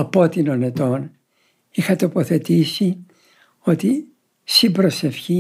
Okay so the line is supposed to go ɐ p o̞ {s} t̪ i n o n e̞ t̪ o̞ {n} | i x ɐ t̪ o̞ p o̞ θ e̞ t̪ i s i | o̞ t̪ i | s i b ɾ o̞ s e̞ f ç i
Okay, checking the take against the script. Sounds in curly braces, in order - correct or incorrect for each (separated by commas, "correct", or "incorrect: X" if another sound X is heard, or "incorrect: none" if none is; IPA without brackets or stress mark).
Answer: incorrect: none, correct